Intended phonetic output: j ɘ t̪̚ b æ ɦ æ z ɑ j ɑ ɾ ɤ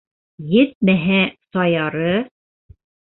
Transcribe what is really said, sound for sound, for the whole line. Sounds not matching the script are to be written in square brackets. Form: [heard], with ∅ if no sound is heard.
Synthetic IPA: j ɘ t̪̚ [m] æ ɦ æ [s] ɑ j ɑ ɾ ɤ